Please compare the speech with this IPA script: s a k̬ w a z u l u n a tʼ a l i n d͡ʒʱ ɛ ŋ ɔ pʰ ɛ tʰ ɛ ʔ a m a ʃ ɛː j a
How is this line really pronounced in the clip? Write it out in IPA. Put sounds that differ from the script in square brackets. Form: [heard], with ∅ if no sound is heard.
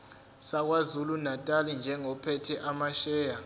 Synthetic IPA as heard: s a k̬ w a z u l u n a tʼ a l i n d͡ʒʱ ɛ ŋ ɔ pʰ ɛ tʰ ɛ ʔ a m a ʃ ɛː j a